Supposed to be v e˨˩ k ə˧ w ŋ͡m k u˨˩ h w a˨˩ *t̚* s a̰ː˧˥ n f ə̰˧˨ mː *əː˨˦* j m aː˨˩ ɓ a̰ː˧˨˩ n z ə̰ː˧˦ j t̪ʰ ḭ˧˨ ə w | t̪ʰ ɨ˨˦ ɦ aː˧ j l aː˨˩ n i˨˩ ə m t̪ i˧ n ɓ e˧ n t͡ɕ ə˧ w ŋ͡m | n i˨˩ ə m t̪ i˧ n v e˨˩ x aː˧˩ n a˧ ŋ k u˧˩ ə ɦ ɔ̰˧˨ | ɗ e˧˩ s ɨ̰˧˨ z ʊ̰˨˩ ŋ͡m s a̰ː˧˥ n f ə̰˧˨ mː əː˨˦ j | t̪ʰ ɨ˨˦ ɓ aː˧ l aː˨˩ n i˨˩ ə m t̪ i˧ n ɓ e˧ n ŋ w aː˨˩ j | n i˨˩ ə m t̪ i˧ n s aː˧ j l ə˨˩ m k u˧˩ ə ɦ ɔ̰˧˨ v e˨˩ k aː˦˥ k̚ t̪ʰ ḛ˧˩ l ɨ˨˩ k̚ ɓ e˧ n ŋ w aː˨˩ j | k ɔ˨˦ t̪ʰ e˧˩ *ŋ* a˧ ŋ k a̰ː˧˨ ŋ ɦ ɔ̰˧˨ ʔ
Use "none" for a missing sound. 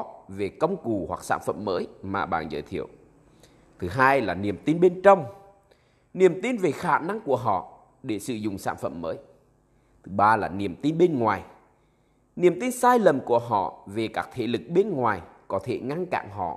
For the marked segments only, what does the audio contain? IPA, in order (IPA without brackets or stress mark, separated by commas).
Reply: k̚, əː˨˦, ŋ